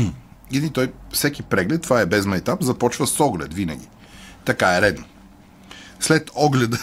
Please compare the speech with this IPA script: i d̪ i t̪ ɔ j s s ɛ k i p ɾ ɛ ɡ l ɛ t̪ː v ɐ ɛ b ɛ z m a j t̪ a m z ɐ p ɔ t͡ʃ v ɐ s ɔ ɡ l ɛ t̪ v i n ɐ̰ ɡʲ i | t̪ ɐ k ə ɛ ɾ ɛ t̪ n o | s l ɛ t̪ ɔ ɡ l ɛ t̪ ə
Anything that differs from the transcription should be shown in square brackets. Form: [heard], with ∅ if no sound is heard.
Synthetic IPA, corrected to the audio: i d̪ i t̪ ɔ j [f] s ɛ k i p ɾ ɛ ɡ l ɛ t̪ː v [a] ɛ b ɛ z m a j t̪ a m z ɐ p ɔ t͡ʃ v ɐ s ɔ ɡ l ɛ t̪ v i n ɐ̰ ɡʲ i | t̪ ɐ k [a] ɛ ɾ ɛ [d̪] n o | s l ɛ t̪ ɔ ɡ l ɛ [d̪] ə